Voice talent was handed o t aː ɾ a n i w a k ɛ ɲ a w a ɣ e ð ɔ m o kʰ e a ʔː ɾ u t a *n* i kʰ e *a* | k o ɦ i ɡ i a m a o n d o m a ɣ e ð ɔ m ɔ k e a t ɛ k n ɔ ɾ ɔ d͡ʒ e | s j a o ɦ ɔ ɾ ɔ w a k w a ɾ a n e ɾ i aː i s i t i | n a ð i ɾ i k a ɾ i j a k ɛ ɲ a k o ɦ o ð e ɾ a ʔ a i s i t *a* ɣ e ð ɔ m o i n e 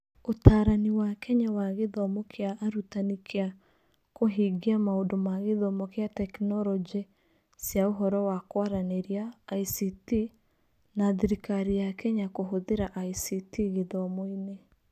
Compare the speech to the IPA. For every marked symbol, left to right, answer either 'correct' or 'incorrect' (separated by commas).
correct, correct, incorrect